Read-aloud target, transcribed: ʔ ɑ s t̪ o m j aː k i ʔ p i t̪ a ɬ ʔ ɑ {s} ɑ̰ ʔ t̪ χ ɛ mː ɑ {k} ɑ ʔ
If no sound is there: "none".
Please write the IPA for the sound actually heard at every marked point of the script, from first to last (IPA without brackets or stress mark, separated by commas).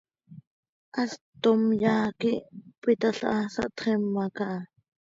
s, k